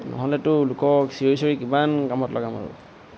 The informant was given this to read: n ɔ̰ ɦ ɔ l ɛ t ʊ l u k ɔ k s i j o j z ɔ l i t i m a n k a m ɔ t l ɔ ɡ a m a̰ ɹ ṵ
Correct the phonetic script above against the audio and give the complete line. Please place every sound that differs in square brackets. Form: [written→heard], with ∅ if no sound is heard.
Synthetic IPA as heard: n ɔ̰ ɦ ɔ l ɛ t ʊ l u k ɔ k s i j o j [z→s] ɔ [l→ɹ] i [t→k] i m a n k a m ɔ t l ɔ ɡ a m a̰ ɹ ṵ